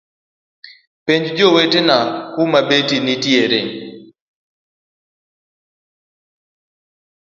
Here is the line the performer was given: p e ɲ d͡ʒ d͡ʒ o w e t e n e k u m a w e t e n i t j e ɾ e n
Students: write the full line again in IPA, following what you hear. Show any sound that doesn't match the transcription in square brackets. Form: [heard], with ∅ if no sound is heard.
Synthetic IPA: p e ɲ d͡ʒ d͡ʒ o w e t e n [a] k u m a [b] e t [i] n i t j e ɾ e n